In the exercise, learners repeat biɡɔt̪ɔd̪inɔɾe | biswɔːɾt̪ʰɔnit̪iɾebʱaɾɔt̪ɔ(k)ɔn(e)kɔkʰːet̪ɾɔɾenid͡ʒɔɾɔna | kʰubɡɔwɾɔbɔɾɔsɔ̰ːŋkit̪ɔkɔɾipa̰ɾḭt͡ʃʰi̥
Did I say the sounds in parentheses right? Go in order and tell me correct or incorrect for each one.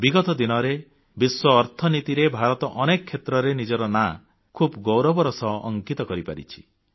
incorrect: ʔ, correct

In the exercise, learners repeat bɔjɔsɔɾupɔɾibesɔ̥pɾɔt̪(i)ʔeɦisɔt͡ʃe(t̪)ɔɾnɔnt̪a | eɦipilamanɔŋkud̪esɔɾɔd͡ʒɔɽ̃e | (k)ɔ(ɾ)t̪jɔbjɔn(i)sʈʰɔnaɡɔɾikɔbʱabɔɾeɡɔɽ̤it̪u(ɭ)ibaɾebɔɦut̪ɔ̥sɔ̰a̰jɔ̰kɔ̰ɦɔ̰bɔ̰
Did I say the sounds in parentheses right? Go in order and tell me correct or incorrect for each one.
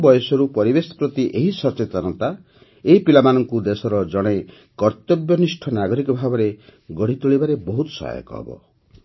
correct, correct, correct, correct, correct, correct

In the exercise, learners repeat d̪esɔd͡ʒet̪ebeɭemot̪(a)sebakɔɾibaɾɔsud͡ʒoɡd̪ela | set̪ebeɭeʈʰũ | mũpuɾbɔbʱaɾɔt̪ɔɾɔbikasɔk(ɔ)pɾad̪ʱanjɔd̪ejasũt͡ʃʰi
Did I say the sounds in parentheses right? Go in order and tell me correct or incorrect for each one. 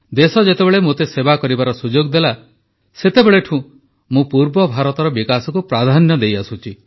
incorrect: e, incorrect: u

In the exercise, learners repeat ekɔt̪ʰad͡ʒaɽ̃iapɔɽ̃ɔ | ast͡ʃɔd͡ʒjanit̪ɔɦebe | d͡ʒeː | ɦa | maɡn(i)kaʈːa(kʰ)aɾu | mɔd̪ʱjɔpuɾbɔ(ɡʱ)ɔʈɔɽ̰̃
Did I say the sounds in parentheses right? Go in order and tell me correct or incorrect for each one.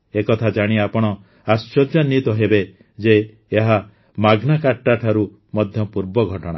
incorrect: a, incorrect: ʈʰ, correct

